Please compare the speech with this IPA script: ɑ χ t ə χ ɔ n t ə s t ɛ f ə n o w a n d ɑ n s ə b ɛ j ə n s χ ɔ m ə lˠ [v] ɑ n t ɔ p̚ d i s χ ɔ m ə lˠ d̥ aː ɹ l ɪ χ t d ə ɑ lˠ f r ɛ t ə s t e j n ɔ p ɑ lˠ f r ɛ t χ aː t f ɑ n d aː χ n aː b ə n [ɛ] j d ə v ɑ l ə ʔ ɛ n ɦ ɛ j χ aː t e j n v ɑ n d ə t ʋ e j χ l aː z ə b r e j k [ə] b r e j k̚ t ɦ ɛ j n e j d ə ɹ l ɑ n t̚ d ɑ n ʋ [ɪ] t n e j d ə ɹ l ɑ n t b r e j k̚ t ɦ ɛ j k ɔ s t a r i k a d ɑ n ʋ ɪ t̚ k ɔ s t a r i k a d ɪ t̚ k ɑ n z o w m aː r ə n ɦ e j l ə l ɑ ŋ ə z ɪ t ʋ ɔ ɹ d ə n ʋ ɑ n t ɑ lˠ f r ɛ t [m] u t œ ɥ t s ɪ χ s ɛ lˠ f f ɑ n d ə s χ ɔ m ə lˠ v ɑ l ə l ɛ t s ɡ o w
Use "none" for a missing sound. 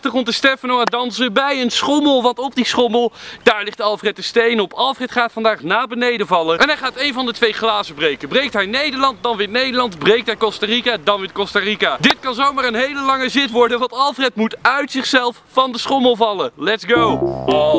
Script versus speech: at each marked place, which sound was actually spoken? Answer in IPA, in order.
ʋ, e, ə, ɪ, m

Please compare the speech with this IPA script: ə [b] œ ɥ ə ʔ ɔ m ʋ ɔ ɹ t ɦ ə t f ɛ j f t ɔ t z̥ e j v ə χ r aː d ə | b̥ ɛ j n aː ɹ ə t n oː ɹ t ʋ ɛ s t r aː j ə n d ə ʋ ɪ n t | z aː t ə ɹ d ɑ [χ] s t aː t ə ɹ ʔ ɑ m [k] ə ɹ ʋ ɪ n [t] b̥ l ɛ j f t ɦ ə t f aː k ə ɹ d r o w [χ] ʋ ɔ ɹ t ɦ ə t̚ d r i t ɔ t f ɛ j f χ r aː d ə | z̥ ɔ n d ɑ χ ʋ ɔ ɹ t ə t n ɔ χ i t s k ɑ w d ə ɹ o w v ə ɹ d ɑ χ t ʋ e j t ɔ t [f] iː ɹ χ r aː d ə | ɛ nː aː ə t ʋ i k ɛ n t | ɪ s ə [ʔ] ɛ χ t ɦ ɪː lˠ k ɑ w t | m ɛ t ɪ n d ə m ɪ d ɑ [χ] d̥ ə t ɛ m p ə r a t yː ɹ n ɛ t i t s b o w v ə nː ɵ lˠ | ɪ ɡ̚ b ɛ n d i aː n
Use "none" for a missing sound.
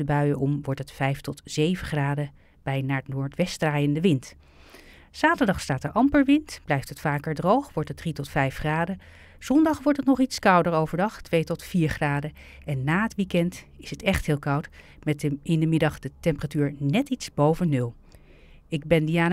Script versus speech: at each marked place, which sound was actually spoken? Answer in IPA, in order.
b, χ, p, t, χ, f, t, χ

